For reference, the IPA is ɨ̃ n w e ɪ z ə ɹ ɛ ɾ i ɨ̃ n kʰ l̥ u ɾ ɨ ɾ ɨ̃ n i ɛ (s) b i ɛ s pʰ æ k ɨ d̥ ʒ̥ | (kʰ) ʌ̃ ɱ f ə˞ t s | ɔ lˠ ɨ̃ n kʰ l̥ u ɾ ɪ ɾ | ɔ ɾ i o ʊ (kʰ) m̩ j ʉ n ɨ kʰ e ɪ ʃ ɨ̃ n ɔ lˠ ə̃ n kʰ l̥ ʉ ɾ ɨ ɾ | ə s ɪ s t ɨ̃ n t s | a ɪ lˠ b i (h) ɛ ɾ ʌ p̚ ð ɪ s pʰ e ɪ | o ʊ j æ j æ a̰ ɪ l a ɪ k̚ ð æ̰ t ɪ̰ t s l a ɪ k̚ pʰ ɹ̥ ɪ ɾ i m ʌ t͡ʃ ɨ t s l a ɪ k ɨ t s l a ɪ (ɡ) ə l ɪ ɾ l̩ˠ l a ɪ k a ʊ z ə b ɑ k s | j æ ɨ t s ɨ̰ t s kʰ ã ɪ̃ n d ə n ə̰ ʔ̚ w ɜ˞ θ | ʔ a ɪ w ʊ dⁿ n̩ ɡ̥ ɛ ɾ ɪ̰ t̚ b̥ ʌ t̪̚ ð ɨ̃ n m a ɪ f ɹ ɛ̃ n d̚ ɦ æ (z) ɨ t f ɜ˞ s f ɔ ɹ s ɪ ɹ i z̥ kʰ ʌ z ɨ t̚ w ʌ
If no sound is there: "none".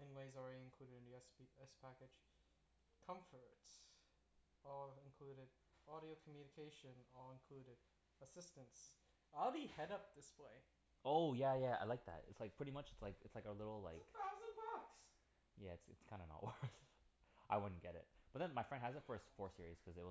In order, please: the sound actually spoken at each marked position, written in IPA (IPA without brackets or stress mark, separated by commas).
s, kʰ, kʰ, h, k, z